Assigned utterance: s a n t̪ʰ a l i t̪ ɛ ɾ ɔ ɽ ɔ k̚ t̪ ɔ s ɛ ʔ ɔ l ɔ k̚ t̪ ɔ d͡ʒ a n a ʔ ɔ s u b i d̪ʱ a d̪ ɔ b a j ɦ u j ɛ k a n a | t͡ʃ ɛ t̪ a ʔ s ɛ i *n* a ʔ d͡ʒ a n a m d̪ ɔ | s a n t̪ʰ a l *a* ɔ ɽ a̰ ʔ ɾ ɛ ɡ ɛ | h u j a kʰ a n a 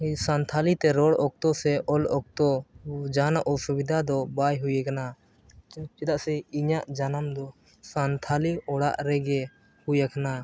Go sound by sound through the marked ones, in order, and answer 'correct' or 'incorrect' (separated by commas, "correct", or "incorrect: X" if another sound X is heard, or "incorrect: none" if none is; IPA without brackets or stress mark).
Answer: incorrect: ɲ, incorrect: i